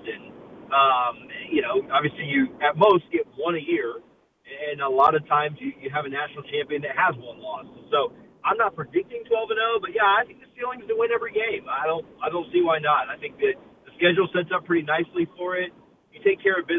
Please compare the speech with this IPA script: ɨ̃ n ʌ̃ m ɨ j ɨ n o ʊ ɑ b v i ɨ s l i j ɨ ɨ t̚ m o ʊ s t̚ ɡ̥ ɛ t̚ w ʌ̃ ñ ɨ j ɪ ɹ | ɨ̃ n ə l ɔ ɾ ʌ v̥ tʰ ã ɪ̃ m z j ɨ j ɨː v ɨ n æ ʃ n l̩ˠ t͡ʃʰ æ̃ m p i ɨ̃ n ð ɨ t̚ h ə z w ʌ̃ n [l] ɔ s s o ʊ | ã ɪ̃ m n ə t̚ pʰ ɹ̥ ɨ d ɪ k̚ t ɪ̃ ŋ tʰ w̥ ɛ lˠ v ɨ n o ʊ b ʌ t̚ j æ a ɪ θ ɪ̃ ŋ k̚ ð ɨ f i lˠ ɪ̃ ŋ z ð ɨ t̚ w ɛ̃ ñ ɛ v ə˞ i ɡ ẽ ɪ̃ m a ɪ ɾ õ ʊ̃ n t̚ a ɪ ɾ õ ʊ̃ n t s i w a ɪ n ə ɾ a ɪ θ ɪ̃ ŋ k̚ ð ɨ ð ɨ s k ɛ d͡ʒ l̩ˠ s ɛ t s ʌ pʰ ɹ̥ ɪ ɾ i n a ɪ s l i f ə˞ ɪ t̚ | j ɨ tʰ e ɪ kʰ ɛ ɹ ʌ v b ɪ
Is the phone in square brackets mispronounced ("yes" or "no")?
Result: no